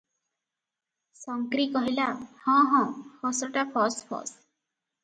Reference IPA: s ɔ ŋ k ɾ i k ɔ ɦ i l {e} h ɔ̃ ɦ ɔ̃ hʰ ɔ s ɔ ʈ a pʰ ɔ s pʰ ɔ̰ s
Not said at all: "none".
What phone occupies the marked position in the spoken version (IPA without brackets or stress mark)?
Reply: a